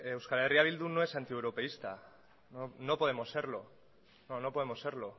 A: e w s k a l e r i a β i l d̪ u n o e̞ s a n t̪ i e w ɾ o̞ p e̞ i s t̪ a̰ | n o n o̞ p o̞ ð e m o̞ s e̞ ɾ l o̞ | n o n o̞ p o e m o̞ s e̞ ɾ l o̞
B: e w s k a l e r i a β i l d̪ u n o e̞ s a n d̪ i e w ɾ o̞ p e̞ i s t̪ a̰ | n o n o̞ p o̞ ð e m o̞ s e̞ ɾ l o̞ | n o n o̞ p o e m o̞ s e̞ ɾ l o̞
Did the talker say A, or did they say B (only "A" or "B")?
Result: A